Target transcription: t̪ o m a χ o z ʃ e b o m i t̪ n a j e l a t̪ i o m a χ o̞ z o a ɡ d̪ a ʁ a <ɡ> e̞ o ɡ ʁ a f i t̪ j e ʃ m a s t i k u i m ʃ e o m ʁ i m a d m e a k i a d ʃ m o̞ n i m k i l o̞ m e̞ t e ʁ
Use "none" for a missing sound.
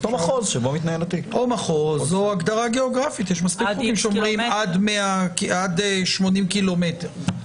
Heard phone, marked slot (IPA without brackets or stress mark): ɡ